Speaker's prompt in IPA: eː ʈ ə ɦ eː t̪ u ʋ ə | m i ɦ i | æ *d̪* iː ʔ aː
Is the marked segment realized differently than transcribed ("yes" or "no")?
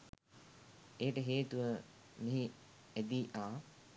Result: no